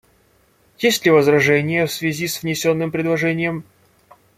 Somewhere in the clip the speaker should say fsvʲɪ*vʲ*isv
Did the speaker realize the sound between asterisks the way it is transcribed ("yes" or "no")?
no